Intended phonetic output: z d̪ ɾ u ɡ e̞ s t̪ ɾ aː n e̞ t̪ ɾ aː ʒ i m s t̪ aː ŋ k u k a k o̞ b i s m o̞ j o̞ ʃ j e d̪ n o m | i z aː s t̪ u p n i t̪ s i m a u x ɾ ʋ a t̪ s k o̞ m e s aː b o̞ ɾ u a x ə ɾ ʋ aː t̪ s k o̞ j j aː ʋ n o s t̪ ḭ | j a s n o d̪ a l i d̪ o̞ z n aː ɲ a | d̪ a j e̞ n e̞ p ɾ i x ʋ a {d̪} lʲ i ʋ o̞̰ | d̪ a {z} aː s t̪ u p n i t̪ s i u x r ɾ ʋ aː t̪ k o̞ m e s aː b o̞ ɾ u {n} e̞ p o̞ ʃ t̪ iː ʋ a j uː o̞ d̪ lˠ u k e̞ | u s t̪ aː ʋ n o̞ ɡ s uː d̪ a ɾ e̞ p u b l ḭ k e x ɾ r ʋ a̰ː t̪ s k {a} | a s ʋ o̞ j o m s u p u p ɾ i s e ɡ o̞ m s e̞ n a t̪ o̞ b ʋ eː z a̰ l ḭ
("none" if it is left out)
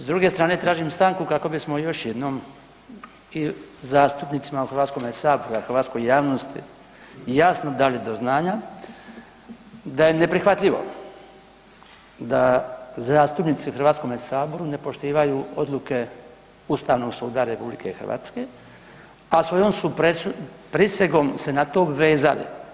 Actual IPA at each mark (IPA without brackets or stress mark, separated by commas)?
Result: t̪, z, n, e